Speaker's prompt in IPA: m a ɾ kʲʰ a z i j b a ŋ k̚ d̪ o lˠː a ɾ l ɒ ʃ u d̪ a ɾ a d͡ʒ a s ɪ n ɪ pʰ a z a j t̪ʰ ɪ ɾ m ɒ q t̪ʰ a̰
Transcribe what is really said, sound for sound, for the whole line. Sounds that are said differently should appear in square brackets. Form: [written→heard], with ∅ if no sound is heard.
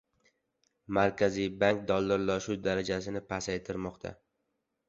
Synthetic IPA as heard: m a ɾ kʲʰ a z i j b a ŋ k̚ d̪ [o→ɒ] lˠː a ɾ l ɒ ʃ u d̪ a ɾ a d͡ʒ a s ɪ n ɪ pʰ a [z→s] a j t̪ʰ ɪ ɾ m ɒ q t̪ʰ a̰